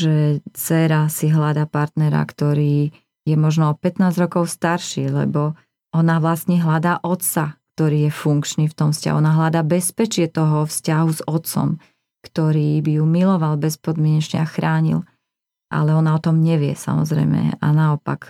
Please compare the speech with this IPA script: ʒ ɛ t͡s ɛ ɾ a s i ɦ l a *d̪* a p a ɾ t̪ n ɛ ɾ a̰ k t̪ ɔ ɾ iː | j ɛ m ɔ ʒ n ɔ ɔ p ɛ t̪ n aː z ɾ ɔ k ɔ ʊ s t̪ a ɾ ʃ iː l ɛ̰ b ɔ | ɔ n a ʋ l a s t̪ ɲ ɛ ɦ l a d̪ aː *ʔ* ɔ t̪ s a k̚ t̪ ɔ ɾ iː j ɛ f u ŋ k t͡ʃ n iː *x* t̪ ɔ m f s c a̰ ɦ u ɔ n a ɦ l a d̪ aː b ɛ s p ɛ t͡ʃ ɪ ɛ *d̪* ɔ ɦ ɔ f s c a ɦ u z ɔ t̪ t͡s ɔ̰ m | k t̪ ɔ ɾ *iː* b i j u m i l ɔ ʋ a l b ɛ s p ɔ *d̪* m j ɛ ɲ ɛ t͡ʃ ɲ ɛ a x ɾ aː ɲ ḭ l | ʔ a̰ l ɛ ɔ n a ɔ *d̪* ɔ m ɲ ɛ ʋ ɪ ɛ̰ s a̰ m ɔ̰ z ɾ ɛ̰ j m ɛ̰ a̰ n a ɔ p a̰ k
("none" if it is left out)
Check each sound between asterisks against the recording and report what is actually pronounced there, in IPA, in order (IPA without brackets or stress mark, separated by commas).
d̪, ʔ, f, t̪, iː, d̪, t̪